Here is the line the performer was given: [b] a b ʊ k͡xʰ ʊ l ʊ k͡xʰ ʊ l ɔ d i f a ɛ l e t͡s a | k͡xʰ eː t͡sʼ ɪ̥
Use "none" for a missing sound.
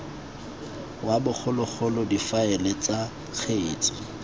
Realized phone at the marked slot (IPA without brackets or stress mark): w